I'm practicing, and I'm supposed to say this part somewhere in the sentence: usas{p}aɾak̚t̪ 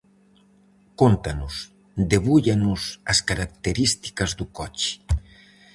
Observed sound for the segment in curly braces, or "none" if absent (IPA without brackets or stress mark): k